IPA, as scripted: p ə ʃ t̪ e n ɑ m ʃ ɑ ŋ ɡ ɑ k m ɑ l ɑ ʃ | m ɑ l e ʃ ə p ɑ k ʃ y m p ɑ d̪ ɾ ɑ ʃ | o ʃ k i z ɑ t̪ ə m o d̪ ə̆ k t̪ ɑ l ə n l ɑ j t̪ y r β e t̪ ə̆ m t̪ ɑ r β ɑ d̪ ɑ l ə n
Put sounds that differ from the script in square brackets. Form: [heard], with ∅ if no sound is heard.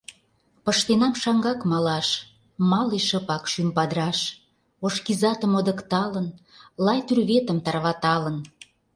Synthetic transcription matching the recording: p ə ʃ t̪ e n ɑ m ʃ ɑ ŋ ɡ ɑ k m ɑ l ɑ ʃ | m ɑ l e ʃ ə p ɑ k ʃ y m p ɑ d̪ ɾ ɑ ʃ | o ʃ k i z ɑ t̪ ə m o d̪ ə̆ k t̪ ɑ l ə n l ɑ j t̪ y r β e t̪ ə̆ m t̪ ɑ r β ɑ [t̪] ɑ l ə n